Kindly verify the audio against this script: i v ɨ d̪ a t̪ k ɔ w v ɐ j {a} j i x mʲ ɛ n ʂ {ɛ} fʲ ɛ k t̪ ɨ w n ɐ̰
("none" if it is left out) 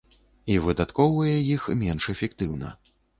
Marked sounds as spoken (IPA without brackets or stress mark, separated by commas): ɛ, ɛ